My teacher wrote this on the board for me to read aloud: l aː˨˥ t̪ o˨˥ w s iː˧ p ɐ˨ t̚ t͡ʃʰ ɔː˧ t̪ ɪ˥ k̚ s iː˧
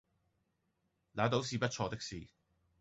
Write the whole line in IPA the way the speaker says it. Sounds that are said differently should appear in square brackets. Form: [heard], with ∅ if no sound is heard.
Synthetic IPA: l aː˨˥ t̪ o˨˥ w s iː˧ p [ɐ˥] t̚ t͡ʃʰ ɔː˧ t̪ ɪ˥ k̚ s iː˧